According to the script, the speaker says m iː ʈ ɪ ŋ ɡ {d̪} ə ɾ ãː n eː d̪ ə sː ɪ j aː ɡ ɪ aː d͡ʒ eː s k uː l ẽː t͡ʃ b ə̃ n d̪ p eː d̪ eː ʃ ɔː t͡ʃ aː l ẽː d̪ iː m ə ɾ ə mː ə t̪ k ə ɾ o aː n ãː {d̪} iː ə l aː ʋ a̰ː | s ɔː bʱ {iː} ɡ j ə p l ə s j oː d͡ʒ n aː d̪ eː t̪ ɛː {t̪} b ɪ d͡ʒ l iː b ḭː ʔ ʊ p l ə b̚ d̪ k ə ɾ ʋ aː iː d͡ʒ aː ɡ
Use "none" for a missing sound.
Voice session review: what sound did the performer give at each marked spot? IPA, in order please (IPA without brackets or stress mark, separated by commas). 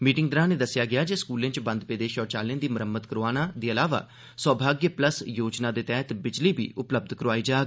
d̪, d̪, aː, t̪